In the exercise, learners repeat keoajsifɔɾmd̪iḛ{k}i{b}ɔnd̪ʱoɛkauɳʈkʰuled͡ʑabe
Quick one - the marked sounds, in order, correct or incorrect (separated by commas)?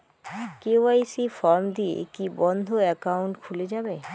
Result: correct, correct